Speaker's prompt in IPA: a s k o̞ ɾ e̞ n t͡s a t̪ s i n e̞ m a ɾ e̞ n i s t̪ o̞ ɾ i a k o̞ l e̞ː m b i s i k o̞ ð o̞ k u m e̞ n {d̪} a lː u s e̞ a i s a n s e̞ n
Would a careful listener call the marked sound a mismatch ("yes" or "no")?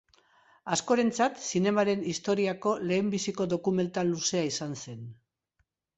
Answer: yes